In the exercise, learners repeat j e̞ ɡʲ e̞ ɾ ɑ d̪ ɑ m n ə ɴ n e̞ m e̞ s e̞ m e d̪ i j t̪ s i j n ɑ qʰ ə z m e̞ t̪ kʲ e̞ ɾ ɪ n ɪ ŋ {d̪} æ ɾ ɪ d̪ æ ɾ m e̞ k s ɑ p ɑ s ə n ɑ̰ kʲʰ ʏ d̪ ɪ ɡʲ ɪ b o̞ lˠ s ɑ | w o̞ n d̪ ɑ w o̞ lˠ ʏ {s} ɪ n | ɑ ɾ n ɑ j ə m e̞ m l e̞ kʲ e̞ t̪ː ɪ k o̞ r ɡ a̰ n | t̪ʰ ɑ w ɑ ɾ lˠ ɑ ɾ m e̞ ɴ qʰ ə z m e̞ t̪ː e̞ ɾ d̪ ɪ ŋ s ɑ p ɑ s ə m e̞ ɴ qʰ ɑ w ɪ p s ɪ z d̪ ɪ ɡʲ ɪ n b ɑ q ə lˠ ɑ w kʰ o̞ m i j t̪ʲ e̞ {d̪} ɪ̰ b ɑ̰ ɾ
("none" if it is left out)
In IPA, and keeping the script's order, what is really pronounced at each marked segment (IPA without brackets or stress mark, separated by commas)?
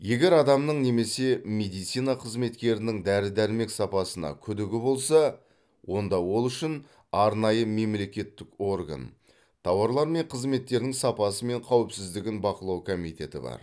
d̪, ʃ, t̪